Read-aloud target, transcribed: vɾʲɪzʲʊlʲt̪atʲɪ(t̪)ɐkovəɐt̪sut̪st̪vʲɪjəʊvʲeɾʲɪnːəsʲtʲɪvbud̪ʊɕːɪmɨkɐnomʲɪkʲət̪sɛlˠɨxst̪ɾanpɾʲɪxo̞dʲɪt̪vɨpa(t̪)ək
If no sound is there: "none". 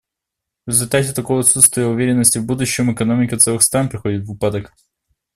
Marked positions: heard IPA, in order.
t̪, d̪

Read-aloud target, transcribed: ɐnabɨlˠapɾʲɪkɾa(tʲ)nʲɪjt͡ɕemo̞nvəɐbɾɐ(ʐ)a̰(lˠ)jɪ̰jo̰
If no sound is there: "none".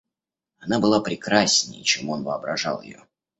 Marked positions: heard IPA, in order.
sʲ, ʐ, lˠ

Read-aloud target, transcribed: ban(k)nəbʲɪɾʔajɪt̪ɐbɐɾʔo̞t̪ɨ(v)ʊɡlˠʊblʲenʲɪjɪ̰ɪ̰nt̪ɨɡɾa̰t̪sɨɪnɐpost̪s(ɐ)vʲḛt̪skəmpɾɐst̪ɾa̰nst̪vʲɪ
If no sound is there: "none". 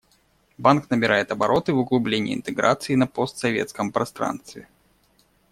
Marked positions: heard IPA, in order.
k, v, ɐ

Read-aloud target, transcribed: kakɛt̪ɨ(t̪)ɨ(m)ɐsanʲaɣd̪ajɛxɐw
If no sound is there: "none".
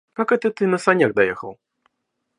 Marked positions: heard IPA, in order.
t̪, n

